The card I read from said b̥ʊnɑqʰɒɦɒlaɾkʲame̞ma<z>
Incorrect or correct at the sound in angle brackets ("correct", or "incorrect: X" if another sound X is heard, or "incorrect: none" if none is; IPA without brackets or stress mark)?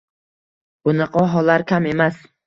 incorrect: s